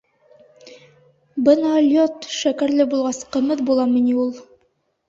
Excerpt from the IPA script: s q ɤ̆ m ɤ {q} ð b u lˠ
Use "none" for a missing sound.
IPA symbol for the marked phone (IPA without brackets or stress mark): none